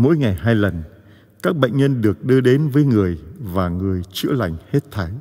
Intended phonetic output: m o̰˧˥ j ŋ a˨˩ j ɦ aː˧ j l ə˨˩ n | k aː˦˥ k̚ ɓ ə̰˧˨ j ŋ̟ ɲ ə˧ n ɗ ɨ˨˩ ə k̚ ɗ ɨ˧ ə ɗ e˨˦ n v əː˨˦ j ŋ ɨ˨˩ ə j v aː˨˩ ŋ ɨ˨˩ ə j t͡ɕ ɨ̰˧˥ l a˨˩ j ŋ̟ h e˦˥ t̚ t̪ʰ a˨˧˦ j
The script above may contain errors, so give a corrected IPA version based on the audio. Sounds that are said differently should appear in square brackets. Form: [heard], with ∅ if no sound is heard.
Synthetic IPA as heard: m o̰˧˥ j ŋ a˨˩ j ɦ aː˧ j l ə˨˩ n | k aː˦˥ k̚ ɓ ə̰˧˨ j ŋ̟ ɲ ə˧ n ɗ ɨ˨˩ ə k̚ ɗ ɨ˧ ə ɗ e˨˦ n v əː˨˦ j ŋ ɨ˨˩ ə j v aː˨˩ ŋ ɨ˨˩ ə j t͡ɕ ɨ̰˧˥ l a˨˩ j ŋ̟ h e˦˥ t̚ t̪ʰ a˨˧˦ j

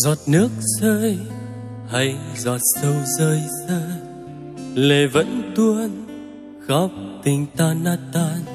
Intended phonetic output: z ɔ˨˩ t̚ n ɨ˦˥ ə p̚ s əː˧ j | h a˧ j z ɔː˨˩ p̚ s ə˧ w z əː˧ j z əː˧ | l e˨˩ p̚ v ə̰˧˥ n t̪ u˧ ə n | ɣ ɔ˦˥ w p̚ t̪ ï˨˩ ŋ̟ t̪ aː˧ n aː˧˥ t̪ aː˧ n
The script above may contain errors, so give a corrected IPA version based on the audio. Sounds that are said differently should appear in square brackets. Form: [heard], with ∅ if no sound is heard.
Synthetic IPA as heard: z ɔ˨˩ t̚ n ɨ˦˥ ə [k̚] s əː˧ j | h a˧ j z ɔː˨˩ [t̚] s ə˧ w z əː˧ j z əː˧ | l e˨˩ [∅] v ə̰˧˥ n t̪ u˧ ə n | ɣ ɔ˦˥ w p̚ t̪ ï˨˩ ŋ̟ t̪ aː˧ n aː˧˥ t̪ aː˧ n

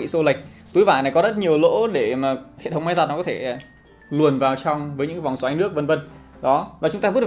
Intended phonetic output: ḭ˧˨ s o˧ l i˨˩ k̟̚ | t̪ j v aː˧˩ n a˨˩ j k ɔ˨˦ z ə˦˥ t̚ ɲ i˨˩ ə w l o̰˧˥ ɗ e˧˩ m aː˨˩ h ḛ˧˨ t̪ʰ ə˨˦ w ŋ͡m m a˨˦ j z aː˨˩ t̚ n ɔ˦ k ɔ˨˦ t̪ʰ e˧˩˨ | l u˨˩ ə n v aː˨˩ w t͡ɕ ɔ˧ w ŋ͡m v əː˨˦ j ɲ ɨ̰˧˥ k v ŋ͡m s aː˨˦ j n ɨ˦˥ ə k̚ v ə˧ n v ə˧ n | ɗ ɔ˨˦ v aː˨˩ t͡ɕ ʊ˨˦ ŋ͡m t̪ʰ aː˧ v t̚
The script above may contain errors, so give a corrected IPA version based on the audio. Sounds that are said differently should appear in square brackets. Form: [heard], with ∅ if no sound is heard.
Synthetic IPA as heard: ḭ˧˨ s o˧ l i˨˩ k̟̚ | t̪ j v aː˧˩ n a˨˩ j k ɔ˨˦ z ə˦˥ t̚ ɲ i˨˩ ə w l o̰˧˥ ɗ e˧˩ m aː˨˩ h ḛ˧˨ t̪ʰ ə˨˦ w ŋ͡m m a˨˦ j z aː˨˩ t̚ n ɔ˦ k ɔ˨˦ t̪ʰ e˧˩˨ | l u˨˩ ə n v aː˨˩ w t͡ɕ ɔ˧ w ŋ͡m v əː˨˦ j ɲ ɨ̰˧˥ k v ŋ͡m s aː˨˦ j n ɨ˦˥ ə k̚ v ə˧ n v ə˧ n | ɗ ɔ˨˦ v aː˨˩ t͡ɕ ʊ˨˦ ŋ͡m [t̪] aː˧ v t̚

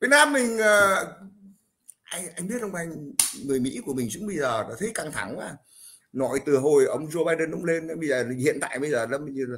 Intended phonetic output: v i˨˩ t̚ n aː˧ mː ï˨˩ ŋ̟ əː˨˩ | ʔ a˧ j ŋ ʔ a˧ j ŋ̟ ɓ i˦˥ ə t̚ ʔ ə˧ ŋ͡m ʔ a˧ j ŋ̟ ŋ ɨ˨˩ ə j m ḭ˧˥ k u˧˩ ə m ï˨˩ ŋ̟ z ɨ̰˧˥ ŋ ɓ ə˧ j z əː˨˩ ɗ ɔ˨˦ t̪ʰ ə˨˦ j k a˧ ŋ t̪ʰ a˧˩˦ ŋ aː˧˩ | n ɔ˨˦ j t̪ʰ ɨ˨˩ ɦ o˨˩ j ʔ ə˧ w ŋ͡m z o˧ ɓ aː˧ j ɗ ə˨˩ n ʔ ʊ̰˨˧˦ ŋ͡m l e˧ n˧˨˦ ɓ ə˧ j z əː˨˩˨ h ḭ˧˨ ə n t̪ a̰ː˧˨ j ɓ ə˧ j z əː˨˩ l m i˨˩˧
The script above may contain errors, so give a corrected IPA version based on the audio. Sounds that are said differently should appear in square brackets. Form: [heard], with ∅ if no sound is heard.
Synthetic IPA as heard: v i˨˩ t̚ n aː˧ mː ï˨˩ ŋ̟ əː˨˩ | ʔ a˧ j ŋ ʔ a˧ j ŋ̟ ɓ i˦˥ ə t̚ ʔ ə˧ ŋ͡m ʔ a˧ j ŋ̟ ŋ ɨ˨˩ ə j m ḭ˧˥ k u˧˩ ə m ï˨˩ ŋ̟ z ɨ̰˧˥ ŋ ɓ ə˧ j z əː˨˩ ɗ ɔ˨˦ t̪ʰ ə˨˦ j k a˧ ŋ t̪ʰ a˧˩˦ ŋ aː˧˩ | n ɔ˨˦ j [t̪] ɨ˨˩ ɦ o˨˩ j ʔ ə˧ w ŋ͡m z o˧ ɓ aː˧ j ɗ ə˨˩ n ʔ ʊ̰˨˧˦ ŋ͡m l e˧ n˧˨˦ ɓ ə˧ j z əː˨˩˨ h ḭ˧˨ ə n t̪ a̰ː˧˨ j ɓ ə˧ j z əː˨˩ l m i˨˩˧

